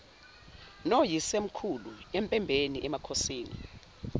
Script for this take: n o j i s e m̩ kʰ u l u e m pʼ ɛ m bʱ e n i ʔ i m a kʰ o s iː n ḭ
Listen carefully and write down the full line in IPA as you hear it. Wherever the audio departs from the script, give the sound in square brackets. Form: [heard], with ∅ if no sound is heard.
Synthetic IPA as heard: n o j i s e m̩ kʰ u l u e m pʼ ɛ m bʱ e n i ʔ [ɛ] m a kʰ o s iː n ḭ